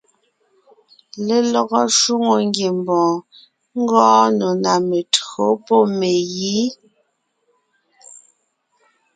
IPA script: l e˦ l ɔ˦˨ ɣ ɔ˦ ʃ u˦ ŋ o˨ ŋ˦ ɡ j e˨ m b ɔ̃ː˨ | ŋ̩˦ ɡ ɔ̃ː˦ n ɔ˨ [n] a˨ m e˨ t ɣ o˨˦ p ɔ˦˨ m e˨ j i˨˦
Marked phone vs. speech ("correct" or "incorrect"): correct